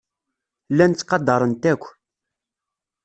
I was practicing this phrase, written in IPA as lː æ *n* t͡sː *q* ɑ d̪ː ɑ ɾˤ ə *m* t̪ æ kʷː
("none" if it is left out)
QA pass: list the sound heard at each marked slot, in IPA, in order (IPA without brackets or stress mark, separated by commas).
n, q, n